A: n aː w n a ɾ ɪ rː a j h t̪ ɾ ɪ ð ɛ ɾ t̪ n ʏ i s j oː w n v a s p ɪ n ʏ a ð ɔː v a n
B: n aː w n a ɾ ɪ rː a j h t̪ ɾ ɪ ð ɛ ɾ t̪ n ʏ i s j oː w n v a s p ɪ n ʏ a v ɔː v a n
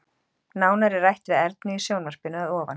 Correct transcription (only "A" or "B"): A